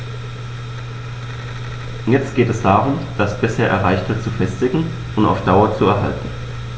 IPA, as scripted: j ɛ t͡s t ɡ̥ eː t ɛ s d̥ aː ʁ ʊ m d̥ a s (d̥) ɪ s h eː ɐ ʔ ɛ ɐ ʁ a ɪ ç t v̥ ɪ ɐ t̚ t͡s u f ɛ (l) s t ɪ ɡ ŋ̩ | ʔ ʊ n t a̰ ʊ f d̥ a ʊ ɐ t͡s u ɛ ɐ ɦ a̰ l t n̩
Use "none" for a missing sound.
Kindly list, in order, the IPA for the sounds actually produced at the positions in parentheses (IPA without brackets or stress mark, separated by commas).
b̥, none